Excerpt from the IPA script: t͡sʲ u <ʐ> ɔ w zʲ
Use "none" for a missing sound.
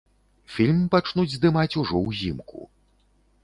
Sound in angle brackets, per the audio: ʐ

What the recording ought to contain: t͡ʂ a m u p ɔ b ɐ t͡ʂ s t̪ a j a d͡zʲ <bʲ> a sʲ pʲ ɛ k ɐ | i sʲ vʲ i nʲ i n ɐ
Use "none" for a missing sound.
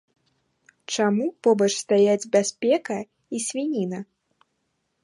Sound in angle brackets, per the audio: bʲ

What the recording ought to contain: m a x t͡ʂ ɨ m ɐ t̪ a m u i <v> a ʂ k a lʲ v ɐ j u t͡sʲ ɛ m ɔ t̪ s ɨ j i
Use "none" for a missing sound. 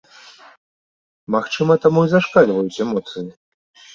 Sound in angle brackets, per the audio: z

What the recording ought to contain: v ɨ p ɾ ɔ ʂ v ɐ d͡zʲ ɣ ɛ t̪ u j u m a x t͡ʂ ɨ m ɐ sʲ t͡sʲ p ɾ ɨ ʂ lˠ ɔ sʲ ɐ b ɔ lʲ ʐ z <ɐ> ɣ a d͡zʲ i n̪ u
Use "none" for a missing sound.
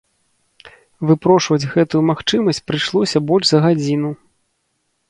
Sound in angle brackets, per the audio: ɐ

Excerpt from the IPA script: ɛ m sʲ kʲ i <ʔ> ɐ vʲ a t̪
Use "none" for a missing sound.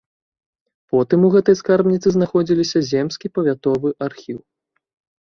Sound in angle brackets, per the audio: p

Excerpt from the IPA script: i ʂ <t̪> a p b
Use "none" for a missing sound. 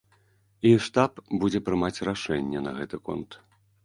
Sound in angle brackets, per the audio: t̪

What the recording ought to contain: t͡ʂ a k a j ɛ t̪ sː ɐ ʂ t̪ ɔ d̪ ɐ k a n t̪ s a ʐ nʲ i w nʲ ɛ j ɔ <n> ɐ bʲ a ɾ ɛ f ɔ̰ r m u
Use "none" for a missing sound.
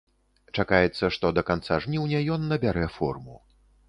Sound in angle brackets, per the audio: nː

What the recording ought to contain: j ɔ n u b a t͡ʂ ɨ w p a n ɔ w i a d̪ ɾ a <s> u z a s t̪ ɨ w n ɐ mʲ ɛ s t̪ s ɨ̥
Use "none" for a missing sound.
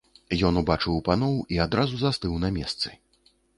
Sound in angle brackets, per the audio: z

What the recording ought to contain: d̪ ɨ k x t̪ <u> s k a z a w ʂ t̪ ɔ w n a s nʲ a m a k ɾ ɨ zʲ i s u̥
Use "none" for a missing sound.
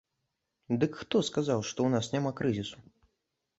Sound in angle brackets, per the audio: ɔ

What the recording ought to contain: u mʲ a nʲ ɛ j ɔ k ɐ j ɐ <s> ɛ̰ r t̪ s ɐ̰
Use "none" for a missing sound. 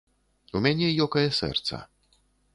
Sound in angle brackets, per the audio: s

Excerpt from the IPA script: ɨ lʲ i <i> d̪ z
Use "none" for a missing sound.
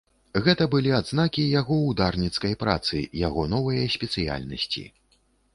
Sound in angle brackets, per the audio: a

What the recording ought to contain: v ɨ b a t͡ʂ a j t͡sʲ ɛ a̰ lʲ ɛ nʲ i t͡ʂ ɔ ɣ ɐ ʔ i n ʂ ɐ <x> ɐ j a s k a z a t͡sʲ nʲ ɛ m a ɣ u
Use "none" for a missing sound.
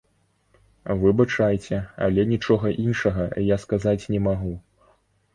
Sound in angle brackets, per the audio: ɣ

